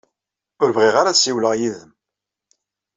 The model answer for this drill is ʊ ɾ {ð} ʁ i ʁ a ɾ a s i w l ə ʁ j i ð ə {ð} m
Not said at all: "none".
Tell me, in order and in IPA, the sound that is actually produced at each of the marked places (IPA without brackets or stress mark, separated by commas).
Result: v, none